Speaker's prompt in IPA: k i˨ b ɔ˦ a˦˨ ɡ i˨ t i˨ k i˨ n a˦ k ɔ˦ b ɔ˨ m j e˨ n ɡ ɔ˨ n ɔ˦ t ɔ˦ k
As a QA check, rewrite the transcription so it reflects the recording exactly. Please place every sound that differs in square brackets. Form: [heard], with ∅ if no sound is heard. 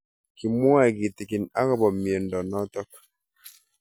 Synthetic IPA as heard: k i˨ [m] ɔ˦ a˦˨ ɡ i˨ t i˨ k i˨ n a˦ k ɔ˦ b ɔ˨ m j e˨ n [d] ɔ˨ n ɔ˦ t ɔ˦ k